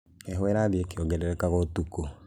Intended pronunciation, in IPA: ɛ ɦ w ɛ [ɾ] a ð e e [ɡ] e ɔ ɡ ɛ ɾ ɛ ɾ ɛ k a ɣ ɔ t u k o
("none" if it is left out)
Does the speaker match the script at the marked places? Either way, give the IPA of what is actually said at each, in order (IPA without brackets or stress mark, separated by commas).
ɾ, k